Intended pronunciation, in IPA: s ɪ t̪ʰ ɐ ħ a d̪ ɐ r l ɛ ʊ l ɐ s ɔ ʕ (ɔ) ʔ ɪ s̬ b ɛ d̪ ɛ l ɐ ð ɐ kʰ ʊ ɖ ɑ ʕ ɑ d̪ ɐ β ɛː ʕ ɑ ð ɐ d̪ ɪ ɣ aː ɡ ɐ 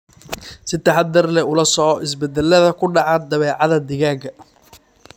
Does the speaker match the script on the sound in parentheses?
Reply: yes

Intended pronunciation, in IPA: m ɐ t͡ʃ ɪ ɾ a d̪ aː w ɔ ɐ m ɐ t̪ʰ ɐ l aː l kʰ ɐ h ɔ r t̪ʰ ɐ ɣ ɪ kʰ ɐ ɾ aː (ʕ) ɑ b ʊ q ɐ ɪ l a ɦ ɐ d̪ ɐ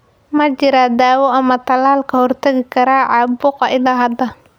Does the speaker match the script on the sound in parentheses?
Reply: yes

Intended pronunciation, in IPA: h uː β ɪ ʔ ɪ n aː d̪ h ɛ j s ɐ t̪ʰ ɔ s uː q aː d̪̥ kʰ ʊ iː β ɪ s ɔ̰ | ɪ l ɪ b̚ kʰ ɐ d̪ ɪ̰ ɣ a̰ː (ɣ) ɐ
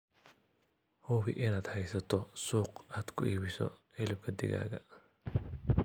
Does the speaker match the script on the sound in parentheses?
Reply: yes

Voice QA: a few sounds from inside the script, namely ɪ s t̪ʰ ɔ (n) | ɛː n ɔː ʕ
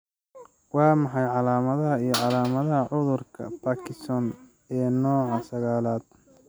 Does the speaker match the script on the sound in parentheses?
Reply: yes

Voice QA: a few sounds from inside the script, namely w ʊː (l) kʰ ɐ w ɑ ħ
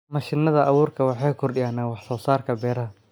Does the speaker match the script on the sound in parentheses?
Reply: no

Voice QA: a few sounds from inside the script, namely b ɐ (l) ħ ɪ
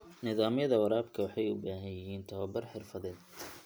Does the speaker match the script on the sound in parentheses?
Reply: no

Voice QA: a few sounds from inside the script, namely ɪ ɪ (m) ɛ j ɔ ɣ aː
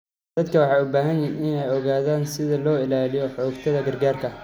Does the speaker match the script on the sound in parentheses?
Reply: no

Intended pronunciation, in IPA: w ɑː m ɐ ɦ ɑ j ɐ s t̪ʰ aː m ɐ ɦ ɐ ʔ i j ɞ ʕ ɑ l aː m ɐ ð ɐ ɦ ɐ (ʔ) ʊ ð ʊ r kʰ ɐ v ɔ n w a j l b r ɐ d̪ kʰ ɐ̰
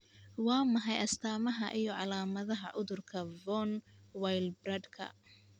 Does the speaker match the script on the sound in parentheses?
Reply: yes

